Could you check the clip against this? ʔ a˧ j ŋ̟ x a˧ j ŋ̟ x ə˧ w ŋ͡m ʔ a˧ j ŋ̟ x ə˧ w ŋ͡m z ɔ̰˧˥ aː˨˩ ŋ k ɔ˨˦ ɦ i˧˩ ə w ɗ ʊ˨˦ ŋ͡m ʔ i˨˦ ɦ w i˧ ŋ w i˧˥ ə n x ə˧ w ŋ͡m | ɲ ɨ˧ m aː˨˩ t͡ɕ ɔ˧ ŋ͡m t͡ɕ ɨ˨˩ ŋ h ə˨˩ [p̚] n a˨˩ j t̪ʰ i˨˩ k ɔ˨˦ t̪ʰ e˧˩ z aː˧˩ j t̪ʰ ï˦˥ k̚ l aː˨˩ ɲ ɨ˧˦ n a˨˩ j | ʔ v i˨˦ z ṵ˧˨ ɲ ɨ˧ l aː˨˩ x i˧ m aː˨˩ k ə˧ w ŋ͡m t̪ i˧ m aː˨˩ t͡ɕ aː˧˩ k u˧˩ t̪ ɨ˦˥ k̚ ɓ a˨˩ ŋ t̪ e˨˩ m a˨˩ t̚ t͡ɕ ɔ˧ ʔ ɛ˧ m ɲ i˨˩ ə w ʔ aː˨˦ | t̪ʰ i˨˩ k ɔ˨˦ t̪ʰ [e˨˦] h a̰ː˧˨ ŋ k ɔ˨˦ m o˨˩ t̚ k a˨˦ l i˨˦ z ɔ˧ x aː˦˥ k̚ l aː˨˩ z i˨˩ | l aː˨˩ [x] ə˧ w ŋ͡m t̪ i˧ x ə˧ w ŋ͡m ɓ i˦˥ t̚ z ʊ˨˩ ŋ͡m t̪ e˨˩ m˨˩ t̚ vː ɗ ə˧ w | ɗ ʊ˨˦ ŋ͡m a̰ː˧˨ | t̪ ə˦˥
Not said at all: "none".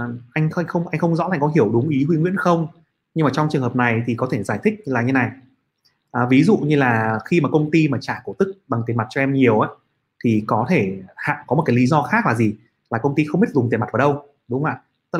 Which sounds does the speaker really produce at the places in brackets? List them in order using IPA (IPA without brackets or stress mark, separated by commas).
p̚, e˧˩, k